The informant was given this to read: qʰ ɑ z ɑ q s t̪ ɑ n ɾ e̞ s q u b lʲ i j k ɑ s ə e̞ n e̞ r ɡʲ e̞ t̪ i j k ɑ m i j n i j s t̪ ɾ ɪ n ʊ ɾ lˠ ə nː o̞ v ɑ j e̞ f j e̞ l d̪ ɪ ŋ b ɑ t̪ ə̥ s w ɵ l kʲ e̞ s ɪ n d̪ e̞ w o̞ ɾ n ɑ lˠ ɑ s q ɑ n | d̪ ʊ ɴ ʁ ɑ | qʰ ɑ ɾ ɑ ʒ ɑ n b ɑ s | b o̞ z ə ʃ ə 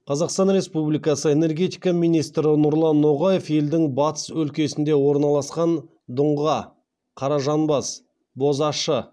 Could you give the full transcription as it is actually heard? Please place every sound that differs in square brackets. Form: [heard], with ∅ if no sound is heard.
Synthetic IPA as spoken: qʰ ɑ z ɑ q s t̪ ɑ n ɾ e̞ s [p] u b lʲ i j k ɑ s ə e̞ n e̞ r ɡʲ e̞ t̪ i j k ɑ m i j n i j s t̪ ɾ ɪ n ʊ ɾ lˠ [ɑ] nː o̞ [ʁ] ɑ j e̞ f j e̞ l d̪ ɪ ŋ b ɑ t̪ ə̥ s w ɵ l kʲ e̞ s ɪ n d̪ e̞ w o̞ ɾ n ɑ lˠ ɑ s q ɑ n | d̪ ʊ ɴ ʁ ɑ | qʰ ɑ ɾ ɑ ʒ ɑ n b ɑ s | b o̞ z [ɑ] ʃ ə

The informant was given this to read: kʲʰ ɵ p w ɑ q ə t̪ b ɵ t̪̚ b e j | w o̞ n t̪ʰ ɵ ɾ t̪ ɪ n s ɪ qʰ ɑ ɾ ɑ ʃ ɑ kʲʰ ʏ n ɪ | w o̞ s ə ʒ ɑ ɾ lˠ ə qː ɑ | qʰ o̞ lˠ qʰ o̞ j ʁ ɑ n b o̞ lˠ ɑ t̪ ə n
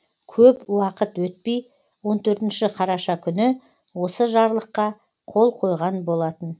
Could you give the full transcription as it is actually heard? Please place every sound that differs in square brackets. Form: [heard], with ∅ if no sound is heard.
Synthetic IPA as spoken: kʲʰ ɵ p w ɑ q ə t̪ [w] ɵ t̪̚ [p] e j | w o̞ n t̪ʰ ɵ ɾ t̪ ɪ n [ʃ] ɪ qʰ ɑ ɾ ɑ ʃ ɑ kʲʰ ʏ n ɪ | w o̞ s ə ʒ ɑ ɾ lˠ ə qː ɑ | qʰ o̞ lˠ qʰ o̞ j ʁ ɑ n b o̞ lˠ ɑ t̪ ə n

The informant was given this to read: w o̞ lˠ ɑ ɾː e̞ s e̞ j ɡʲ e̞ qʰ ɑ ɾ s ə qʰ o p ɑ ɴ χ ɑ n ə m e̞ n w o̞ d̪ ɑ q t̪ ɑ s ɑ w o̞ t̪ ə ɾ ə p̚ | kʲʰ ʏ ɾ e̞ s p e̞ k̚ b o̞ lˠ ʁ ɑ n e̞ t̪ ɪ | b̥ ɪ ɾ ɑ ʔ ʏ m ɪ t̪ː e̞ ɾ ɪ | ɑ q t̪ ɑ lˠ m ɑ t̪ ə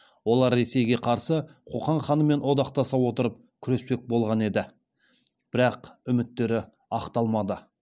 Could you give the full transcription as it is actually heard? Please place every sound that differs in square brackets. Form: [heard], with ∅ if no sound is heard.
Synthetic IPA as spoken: w o̞ lˠ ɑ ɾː e̞ s e̞ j ɡʲ e̞ qʰ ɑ ɾ s ə qʰ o [q] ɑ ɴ χ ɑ n ə m e̞ n w o̞ d̪ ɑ q t̪ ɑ s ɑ w o̞ t̪ ə ɾ ə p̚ | kʲʰ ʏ ɾ e̞ s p e̞ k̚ b o̞ lˠ ʁ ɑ n e̞ [d̪] ɪ | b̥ ɪ ɾ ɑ [q] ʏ m ɪ t̪ː e̞ ɾ ɪ | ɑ q t̪ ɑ lˠ m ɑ [d̪] ə

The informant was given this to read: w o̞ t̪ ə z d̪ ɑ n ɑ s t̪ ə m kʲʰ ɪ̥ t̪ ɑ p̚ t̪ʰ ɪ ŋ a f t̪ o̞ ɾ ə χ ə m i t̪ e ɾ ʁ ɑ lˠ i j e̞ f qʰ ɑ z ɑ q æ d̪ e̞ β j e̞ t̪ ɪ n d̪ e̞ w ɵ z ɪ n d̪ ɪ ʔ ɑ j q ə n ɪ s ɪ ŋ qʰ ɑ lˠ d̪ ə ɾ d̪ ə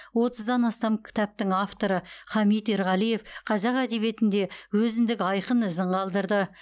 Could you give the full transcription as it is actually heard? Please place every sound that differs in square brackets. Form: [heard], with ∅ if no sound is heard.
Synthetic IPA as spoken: w o̞ t̪ ə z d̪ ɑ n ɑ s t̪ [ɑ] m kʲʰ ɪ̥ t̪ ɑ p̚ [t̪] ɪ ŋ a f t̪ o̞ ɾ ə χ [ɑ] m i t̪ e ɾ ʁ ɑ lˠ i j e̞ f qʰ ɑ z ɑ q æ d̪ e̞ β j e̞ t̪ ɪ n d̪ e̞ w ɵ z ɪ n d̪ ɪ [k] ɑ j q ə n ɪ [z] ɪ [ɴ] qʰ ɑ lˠ d̪ ə ɾ d̪ ə

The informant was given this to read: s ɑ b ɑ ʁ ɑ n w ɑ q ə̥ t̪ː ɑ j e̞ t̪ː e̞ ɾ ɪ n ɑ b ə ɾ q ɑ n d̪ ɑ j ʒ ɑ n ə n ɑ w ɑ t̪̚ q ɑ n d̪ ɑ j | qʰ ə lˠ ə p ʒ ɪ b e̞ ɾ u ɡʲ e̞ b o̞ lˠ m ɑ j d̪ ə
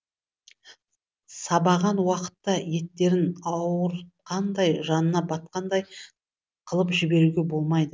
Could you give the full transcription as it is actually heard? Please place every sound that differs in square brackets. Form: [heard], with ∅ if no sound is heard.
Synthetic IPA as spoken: s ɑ b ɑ ʁ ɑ n w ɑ q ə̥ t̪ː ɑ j e̞ t̪ː e̞ ɾ ɪ n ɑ [w] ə ɾ q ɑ n d̪ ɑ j ʒ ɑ n ə n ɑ [b] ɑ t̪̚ q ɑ n d̪ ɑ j | qʰ ə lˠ ə p ʒ ɪ b e̞ ɾ u ɡʲ e̞ b o̞ lˠ m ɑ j d̪ ə

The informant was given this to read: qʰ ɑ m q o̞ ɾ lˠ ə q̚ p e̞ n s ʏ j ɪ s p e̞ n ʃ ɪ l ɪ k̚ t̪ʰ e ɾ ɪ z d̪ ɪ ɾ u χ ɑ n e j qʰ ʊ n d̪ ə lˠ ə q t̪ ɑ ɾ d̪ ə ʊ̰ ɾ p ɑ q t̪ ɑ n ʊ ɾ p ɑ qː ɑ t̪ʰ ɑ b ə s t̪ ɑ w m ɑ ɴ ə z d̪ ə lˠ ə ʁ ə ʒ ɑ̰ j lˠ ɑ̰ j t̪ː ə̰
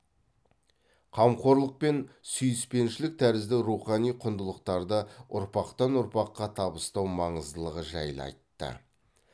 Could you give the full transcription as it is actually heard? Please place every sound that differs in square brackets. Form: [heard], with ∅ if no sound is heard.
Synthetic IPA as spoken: qʰ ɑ m q o̞ ɾ lˠ ə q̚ p e̞ n s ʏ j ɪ s p e̞ n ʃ ɪ l ɪ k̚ t̪ʰ [æ] ɾ ɪ z d̪ ɪ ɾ u χ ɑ n [i] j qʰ ʊ n d̪ ə lˠ ə q t̪ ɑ ɾ d̪ ə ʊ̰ ɾ p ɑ q t̪ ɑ n ʊ ɾ p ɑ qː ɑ t̪ʰ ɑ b ə s t̪ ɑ w m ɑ ɴ ə z d̪ ə lˠ ə ʁ ə ʒ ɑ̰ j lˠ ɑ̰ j t̪ː ə̰

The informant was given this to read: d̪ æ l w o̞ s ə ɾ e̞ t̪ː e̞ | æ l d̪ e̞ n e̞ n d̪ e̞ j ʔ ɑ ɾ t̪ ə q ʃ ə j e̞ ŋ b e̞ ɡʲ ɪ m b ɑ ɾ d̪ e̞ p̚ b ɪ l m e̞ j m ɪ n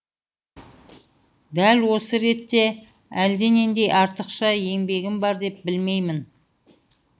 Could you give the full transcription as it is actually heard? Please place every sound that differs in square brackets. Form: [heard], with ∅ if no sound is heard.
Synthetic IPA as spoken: d̪ æ l w o̞ s ə ɾ e̞ t̪ː e̞ | æ l d̪ e̞ n e̞ n d̪ e̞ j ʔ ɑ ɾ t̪ ə q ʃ [ɑ] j e̞ ŋ b e̞ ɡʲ ɪ m b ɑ ɾ d̪ e̞ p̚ b ɪ l m e̞ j m ɪ n

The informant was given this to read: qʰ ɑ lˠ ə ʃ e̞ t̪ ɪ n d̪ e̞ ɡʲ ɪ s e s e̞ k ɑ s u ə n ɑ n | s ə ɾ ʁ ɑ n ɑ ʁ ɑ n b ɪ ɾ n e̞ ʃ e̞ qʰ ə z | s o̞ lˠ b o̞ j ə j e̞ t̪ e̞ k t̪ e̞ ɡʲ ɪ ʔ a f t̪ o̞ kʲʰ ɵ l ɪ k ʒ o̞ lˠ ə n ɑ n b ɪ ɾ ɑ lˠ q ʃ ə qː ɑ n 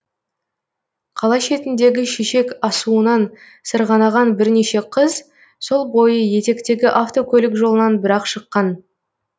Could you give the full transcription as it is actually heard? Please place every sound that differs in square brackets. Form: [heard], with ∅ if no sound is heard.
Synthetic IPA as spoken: qʰ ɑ lˠ [ɑ] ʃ e̞ t̪ ɪ n d̪ e̞ ɡʲ ɪ [ʃ] e [ʃ] e̞ k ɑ s u ə n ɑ n | s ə ɾ ʁ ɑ n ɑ ʁ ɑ n b ɪ ɾ n e̞ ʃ e̞ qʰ ə z | s o̞ lˠ b o̞ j ə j e̞ t̪ e̞ k t̪ e̞ ɡʲ ɪ ʔ a f t̪ o̞ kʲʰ ɵ l ɪ k ʒ o̞ lˠ ə n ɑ n b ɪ ɾ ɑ [∅] q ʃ ə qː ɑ n

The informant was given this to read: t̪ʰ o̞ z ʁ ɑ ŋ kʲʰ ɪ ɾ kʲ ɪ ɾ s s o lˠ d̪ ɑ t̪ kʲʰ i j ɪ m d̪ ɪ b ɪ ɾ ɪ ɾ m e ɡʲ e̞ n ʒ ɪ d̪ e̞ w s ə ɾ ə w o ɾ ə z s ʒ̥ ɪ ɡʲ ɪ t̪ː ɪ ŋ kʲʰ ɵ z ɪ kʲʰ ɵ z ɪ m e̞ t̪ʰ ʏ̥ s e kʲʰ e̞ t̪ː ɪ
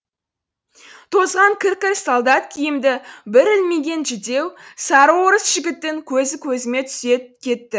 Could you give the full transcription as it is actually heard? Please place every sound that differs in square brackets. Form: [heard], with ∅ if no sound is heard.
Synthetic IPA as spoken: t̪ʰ o̞ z ʁ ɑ ŋ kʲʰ ɪ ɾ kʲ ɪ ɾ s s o lˠ d̪ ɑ t̪ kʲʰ i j ɪ m d̪ ɪ b ɪ ɾ ɪ [l] m e ɡʲ e̞ n ʒ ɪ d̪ e̞ w s [ɑ] ɾ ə w o ɾ ə [∅] s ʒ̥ ɪ ɡʲ ɪ t̪ː ɪ ŋ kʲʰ ɵ z ɪ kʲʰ ɵ z ɪ m e̞ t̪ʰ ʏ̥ s e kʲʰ e̞ t̪ː ɪ

